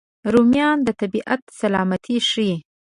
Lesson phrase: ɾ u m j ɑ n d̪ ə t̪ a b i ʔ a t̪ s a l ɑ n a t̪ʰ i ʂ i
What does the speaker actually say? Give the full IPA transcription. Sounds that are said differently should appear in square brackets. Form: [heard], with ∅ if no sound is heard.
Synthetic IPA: ɾ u m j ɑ n d̪ ə t̪ a b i ʔ a t̪ s a l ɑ [m] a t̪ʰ i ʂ i